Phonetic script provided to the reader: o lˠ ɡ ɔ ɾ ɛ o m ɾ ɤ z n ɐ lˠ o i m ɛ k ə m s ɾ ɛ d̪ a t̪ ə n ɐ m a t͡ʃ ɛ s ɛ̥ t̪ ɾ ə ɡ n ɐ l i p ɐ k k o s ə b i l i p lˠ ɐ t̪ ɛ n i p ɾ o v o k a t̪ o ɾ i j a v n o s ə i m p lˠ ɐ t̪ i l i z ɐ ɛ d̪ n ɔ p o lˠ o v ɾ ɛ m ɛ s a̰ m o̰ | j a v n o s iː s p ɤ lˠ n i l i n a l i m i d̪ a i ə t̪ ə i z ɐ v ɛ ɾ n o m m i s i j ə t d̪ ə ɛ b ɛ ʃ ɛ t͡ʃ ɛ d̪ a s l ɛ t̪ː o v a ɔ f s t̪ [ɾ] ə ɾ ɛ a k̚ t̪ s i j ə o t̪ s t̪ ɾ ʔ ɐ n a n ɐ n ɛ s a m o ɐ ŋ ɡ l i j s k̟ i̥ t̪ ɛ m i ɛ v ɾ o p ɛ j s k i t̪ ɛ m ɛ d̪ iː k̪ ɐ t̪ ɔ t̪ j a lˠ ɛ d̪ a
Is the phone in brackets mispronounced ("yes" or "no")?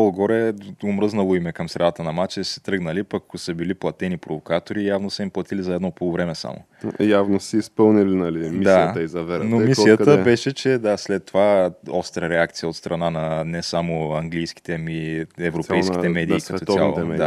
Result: no